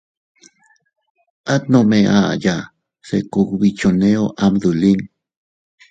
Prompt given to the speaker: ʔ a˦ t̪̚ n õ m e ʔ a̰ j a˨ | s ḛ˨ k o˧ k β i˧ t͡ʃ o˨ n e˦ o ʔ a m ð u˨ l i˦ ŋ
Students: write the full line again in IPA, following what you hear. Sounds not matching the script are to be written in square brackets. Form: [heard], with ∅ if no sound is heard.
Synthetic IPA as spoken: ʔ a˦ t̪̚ n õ m e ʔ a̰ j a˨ | s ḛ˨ k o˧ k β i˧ t͡ʃ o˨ n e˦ o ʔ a m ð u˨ l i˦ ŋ